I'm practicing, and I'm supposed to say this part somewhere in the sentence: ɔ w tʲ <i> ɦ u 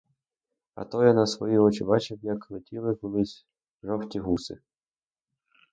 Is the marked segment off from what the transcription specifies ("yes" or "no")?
no